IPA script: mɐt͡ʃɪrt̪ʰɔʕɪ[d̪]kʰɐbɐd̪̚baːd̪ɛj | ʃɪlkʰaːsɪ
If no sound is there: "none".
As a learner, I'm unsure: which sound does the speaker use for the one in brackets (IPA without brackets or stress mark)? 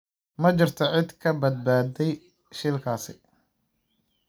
d̪